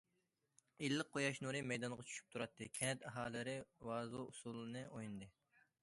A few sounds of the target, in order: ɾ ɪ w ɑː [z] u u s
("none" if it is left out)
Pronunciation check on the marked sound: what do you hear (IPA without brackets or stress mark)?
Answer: z